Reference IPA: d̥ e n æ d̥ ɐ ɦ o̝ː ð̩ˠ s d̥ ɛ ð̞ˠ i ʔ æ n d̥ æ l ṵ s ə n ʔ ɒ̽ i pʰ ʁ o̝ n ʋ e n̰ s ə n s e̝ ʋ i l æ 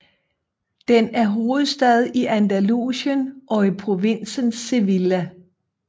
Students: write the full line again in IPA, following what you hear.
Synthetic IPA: d̥ e n æ ɐ ɦ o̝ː ð̩ˠ s d̥ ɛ ð̞ˠ i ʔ æ n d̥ æ l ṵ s ə n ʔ ɒ̽ i pʰ ʁ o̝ ʋ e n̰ s ə n s e̝ ʋ i l æ